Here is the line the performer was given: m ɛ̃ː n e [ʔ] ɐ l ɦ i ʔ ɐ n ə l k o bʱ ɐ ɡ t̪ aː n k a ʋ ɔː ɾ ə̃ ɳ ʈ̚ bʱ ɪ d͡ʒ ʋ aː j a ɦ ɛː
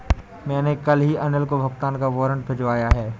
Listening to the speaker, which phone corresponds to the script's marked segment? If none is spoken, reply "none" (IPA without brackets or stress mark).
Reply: k